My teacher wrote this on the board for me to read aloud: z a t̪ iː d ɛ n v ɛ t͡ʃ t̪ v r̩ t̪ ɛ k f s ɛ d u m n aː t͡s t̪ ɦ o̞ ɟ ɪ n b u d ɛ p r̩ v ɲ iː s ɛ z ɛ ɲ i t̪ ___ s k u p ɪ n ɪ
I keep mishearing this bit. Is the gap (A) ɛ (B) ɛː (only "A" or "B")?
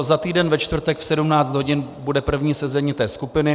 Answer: B